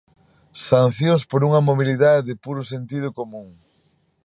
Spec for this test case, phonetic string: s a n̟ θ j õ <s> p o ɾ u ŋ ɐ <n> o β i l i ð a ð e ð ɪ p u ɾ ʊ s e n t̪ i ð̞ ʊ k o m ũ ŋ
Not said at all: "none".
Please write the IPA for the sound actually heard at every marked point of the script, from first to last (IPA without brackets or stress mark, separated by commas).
s, m